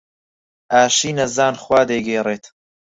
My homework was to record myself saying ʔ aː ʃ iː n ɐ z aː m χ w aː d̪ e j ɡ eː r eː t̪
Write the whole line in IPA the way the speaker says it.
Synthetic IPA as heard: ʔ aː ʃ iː n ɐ z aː n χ w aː d̪ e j ɡ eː r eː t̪